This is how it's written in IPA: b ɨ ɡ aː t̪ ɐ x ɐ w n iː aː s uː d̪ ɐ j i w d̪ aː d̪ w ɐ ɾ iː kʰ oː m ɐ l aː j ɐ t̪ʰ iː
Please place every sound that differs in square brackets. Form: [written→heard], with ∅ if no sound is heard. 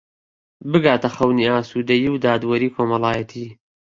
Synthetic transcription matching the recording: b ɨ ɡ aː t̪ ɐ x ɐ w n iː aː s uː d̪ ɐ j i w d̪ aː d̪ w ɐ ɾ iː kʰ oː m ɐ l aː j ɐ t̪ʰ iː

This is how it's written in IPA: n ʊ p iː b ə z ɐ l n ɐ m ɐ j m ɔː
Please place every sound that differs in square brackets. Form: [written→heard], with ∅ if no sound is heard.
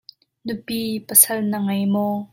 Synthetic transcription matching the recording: n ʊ p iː [b→p] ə [z→s] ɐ l n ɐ [m→ŋ] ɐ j m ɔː

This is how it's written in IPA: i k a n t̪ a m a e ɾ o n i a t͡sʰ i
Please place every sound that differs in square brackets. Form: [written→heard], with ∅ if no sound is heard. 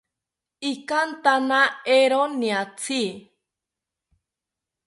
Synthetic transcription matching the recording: i k a n t̪ a [m→n] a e ɾ o n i a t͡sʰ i

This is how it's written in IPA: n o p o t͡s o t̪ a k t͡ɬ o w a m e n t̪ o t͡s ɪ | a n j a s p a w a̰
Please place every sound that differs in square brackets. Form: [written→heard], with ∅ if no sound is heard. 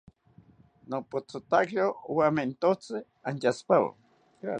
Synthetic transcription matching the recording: n o p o t͡s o t̪ a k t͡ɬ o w a m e n t̪ o t͡s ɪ | a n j a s p a w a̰

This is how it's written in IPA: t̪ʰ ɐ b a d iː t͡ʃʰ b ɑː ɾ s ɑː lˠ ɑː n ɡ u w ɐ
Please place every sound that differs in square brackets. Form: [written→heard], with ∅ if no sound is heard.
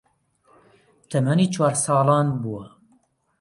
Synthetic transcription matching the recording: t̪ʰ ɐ [b→m] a [d→n] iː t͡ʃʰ [b→w] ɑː ɾ s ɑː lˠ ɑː n [ɡ→b] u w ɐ

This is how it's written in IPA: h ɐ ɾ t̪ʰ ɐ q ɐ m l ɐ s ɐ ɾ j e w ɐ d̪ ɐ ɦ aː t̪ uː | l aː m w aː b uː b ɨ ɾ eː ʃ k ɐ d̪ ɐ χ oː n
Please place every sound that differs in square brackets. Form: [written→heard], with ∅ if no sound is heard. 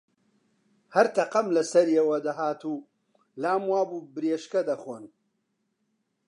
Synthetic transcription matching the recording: h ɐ ɾ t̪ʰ ɐ q ɐ m l ɐ s ɐ ɾ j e w ɐ d̪ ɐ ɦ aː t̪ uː | l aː m w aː b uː b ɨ ɾ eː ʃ k ɐ d̪ ɐ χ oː n

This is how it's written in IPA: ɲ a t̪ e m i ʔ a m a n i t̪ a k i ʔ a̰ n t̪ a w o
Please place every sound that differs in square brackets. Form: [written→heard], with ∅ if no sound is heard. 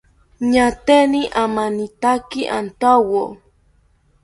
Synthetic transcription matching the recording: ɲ a t̪ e [m→n] i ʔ a m a n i t̪ a k i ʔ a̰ n t̪ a w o

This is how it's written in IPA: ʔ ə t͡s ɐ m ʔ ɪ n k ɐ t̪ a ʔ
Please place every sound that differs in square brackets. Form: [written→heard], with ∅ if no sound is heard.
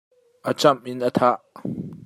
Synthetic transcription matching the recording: ʔ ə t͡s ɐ m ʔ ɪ n [k→ʔ] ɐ [t̪→t̪ʰ] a ʔ

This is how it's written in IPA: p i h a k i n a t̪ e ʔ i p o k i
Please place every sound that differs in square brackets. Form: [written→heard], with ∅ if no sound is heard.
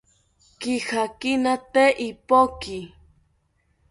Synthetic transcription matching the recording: [p→k] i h a k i n a t̪ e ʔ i p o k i

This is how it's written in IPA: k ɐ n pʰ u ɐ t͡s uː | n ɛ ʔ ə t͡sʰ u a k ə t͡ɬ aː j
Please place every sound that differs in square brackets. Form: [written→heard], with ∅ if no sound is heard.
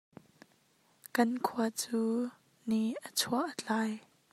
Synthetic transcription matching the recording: k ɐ n [pʰ→kʰ] u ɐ t͡s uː | n [ɛ→i] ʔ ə t͡sʰ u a [k→ʔ] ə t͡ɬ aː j

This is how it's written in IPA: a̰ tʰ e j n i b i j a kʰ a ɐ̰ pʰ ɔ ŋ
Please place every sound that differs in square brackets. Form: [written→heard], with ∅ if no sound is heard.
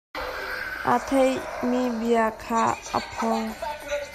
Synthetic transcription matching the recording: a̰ tʰ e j [n→m] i b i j a kʰ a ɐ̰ pʰ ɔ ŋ

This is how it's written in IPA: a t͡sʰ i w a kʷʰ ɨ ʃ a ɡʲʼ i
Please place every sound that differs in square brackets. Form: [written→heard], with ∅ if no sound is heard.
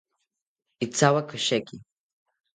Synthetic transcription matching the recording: [a→i] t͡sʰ [i→a] w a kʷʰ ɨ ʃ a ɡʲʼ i

